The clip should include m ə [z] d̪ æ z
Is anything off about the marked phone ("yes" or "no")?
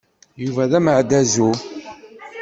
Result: yes